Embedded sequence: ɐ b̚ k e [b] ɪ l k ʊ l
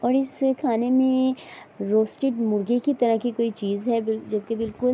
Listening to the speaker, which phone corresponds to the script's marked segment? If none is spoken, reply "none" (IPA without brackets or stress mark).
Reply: b